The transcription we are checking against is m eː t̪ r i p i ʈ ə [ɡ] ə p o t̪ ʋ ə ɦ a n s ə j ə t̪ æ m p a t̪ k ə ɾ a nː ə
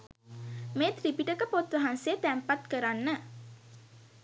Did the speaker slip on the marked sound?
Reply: yes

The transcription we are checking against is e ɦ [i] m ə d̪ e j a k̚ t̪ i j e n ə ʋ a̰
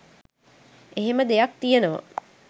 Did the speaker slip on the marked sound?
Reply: yes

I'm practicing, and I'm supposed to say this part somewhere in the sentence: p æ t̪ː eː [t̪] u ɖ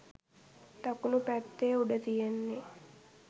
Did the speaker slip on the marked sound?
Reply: yes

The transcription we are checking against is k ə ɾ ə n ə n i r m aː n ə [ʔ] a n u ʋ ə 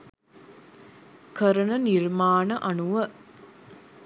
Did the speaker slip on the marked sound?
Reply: no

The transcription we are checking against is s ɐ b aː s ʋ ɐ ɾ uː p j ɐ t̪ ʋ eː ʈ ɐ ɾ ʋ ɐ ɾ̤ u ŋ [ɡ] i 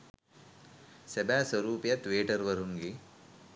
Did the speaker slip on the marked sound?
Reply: no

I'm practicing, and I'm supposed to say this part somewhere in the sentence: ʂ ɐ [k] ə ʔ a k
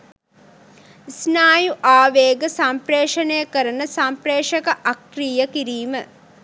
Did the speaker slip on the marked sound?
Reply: no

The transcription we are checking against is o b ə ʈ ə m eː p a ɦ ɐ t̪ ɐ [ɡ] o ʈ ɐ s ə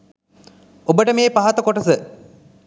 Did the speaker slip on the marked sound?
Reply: yes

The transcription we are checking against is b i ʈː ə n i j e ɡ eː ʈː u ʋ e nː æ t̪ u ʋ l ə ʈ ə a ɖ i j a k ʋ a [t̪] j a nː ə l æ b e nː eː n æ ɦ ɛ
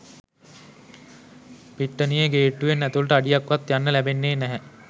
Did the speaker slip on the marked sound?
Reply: no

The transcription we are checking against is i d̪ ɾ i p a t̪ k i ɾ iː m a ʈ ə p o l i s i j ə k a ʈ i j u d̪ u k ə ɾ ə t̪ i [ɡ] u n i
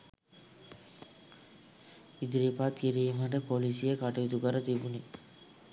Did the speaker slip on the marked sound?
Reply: yes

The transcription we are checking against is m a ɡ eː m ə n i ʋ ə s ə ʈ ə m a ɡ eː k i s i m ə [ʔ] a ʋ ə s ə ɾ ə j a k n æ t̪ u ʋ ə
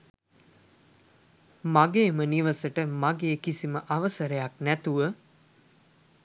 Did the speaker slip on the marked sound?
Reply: no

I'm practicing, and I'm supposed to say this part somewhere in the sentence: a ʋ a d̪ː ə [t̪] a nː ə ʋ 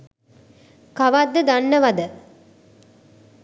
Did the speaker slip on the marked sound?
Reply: yes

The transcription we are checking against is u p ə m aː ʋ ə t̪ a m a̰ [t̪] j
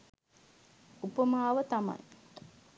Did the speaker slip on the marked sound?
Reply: yes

